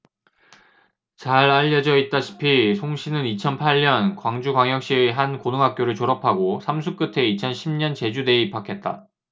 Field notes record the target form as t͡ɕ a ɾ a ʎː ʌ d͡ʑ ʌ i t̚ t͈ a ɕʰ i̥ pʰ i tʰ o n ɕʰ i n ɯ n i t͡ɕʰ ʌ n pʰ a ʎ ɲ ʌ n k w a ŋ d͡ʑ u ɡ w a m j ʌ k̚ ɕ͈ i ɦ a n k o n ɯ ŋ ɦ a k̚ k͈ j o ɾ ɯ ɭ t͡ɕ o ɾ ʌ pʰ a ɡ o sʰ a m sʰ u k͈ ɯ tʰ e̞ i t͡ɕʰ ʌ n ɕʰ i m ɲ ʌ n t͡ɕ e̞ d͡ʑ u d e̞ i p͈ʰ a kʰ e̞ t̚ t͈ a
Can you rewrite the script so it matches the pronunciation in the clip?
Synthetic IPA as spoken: t͡ɕ a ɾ a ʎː ʌ d͡ʑ ʌ i t̚ t͈ a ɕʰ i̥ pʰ i sʰ o ŋ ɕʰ i n ɯ n i t͡ɕʰ ʌ n pʰ a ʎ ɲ ʌ n k w a ŋ d͡ʑ u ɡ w a ŋ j ʌ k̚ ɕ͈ i ɦ a n k o n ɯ ŋ ɦ a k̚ k͈ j o ɾ ɯ ɭ t͡ɕ o ɾ ʌ pʰ a ɡ o sʰ a m sʰ u k͈ ɯ tʰ e̞ i t͡ɕʰ ʌ n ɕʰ i m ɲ ʌ n t͡ɕ e̞ d͡ʑ u d e̞ i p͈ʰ a kʰ e̞ t̚ t͈ a